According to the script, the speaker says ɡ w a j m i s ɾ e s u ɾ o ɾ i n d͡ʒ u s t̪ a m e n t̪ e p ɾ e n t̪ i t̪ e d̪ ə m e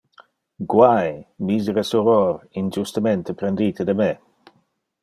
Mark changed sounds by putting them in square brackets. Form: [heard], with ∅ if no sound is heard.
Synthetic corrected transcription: ɡ w a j m i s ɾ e s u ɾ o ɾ i n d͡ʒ u s t̪ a m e n t̪ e p ɾ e n [d̪] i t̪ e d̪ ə m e